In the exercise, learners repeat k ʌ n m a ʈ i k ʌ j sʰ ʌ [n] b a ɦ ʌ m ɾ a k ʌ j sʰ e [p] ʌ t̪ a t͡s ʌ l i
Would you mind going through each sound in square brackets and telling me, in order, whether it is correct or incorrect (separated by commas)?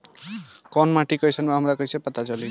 correct, correct